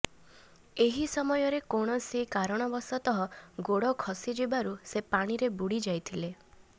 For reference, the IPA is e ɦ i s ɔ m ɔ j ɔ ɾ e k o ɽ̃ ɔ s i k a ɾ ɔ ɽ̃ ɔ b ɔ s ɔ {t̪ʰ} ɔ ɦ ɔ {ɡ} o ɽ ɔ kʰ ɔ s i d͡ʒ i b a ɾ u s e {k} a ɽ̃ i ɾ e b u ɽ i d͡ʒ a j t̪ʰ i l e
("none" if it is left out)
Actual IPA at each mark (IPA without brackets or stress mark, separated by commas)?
t̪, ɡ, p